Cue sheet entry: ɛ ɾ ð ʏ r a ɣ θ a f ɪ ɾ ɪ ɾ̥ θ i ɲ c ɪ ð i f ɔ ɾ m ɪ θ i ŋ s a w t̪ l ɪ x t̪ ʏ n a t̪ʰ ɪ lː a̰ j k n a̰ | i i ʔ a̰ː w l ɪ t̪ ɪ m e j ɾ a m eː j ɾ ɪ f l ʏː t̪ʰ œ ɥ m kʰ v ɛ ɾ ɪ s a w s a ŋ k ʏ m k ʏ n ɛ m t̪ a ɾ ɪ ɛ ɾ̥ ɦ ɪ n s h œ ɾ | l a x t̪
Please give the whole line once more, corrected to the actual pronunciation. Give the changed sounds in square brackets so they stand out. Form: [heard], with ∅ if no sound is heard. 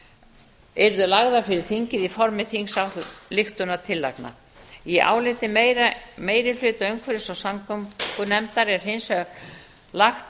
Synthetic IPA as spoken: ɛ ɾ ð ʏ [l] a ɣ [ð] a f ɪ ɾ ɪ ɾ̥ θ i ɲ c ɪ ð i f ɔ ɾ m ɪ θ i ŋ s a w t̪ l ɪ x t̪ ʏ n a t̪ʰ ɪ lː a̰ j k n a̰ | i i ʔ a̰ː w l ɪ t̪ ɪ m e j ɾ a m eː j ɾ ɪ f l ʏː [t̪] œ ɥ [ŋ] kʰ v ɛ ɾ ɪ s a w s a ŋ k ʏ m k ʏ n ɛ m t̪ a ɾ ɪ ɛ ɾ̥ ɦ ɪ n s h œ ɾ | l a x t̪